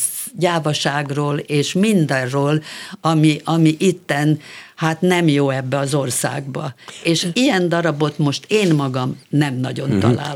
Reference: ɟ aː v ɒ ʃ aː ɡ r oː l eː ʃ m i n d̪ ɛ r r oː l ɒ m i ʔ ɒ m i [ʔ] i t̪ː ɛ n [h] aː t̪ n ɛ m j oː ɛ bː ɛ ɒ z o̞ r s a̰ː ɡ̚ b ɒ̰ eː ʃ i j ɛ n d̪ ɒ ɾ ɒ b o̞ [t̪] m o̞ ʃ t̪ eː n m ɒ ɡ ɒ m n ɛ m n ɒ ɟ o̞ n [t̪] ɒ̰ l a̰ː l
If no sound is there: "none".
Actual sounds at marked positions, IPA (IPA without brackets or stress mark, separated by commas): ʔ, h, t̪, t̪